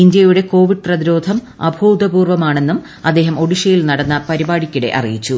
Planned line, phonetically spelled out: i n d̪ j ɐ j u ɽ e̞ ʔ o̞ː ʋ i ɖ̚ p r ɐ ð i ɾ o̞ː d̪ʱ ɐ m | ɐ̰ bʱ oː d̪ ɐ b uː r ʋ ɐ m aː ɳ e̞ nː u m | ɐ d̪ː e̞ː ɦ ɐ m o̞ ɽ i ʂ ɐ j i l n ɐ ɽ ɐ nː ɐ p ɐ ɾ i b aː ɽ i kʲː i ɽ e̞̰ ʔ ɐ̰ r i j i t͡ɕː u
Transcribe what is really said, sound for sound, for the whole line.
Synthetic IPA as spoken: i n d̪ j ɐ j u ɽ e̞ k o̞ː ʋ i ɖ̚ p r ɐ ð i ɾ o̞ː d̪ʱ ɐ m | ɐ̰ bʱ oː d̪ ɐ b uː r ʋ ɐ m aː ɳ e̞ nː u m | ɐ d̪ː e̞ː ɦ ɐ m o̞ ɽ i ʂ ɐ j i l n ɐ ɽ ɐ nː ɐ p ɐ ɾ i b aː ɽ i kʲː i ɽ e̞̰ ʔ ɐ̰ r i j i t͡ɕː u